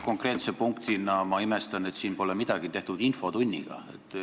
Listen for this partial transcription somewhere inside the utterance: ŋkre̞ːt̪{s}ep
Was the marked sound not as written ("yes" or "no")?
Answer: no